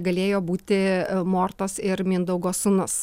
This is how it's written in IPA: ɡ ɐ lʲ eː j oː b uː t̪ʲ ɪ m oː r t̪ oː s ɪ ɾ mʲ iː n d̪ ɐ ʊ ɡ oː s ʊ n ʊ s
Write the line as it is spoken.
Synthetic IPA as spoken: ɡ ɐ lʲ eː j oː b uː t̪ʲ ɪ m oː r t̪ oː s ɪ ɾ mʲ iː n d̪ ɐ ʊ ɡ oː s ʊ n ʊ s

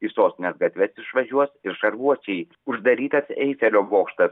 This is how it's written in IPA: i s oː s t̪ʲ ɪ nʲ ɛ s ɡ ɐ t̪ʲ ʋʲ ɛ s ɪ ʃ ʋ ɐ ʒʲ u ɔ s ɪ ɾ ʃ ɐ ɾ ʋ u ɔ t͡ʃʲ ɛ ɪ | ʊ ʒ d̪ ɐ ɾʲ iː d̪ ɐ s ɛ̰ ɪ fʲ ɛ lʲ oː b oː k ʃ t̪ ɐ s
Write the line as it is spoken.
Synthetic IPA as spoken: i s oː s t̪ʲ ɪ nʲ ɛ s ɡ ɐ t̪ʲ ʋʲ ɛ s ɪ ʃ ʋ ɐ ʒʲ u ɔ s ɪ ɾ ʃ ɐ ɾ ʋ u ɔ t͡ʃʲ ɛ ɪ | ʊ ʒ d̪ ɐ ɾʲ iː t̪ ɐ s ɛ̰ ɪ fʲ ɛ lʲ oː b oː k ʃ t̪ ɐ s

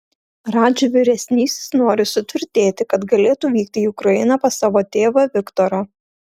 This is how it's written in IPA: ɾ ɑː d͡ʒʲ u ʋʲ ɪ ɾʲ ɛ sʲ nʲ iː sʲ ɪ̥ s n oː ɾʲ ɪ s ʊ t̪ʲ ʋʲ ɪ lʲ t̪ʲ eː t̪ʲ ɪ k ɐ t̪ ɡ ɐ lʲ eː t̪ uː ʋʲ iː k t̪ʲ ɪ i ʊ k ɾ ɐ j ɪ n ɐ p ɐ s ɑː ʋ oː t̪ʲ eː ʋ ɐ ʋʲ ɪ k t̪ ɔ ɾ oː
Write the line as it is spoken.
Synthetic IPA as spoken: ɾ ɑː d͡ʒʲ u ʋʲ ɪ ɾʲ ɛ sʲ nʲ iː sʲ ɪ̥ s n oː ɾʲ ɪ s ʊ t̪ʲ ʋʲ ɪ ɾʲ t̪ʲ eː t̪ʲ ɪ k ɐ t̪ ɡ ɐ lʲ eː t̪ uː ʋʲ iː k t̪ʲ ɪ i ʊ k ɾ ɐ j ɪ n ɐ p ɐ s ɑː ʋ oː t̪ʲ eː ʋ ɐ ʋʲ ɪ k t̪ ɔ ɾ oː

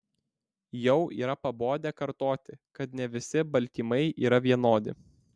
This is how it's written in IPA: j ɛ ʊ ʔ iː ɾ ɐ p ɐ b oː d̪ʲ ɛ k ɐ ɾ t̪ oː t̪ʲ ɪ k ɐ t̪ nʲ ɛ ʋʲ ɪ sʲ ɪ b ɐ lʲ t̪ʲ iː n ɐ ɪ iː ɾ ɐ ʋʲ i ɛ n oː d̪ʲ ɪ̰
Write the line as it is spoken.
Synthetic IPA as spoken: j ɛ ʊ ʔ iː ɾ ɐ p ɐ b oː d̪ʲ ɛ k ɐ ɾ t̪ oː t̪ʲ ɪ k ɐ t̪ nʲ ɛ ʋʲ ɪ sʲ ɪ b ɐ lʲ t̪ʲ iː m ɐ ɪ iː ɾ ɐ ʋʲ i ɛ n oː d̪ʲ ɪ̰

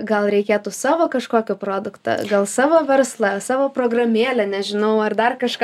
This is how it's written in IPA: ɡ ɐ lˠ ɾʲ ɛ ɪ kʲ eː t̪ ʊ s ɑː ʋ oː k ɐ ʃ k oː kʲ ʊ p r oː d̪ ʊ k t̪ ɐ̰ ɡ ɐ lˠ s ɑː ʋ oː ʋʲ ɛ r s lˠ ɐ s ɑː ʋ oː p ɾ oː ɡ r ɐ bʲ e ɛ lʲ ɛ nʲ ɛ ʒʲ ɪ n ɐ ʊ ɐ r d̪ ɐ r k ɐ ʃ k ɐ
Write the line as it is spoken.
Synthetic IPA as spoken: ɡ ɐ lˠ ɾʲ ɛ ɪ kʲ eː t̪ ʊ s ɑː ʋ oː k ɐ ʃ k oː kʲ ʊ p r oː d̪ ʊ k t̪ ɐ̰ ɡ ɐ lˠ s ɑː ʋ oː ʋʲ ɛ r s lˠ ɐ s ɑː ʋ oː p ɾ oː ɡ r ɐ mʲ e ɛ lʲ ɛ nʲ ɛ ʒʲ ɪ n ɐ ʊ ɐ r d̪ ɐ r k ɐ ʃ k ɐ

